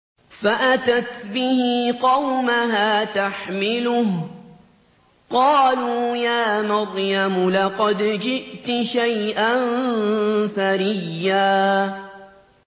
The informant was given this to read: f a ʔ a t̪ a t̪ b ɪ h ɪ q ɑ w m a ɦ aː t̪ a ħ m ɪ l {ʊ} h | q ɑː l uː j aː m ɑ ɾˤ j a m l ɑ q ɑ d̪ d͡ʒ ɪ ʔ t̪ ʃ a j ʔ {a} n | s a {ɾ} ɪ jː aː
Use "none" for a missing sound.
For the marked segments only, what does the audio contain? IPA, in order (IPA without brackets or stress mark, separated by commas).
ʊ, a, ɾ